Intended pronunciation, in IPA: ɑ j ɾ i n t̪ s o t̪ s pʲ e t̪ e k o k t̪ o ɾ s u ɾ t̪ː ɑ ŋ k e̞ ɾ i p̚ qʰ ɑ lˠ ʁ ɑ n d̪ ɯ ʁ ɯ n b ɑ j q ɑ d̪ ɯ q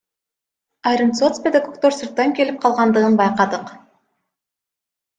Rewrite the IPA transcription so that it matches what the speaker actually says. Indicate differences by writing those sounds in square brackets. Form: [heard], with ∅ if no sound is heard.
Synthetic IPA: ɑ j ɾ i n t̪ s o t̪ s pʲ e [d̪] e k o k t̪ o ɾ s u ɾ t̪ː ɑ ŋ k e̞ [l] i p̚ qʰ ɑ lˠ ʁ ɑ n d̪ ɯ ʁ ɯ n b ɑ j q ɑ d̪ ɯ q